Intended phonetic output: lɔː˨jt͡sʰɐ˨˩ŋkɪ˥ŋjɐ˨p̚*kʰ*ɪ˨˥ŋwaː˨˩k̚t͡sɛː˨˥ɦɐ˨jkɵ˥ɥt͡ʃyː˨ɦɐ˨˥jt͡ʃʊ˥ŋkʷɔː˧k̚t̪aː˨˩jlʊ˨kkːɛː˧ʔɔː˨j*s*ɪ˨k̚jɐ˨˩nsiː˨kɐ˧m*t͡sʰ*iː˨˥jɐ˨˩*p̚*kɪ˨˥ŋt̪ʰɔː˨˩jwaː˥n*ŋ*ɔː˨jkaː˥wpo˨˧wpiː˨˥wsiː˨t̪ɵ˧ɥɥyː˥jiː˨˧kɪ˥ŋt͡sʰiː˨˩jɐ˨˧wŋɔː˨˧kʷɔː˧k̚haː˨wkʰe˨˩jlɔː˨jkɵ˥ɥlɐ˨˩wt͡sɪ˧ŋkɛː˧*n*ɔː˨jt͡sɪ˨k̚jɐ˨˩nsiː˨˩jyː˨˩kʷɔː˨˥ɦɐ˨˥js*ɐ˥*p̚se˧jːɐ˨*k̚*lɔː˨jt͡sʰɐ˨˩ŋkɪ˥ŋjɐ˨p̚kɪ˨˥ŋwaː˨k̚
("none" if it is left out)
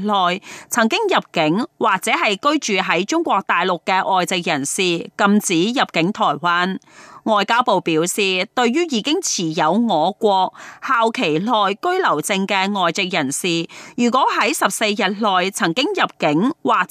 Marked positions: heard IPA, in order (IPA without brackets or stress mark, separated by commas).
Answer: k, t͡s, t͡s, p̚, ŋ, ŋ, ɐ˨, t̚